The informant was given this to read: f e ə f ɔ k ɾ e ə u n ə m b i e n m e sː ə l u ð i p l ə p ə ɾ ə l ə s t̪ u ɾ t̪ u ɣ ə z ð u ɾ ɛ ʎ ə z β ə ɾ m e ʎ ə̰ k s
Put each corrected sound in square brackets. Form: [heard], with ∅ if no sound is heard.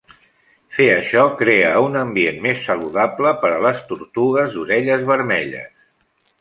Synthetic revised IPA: f e ə [ʃ] ɔ k ɾ e ə u n ə m b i e n m e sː ə l u ð [a] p l ə p ə ɾ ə l ə s t̪ u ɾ t̪ u ɣ ə z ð u ɾ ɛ ʎ ə z β ə ɾ m [ɛ] ʎ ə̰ [∅] s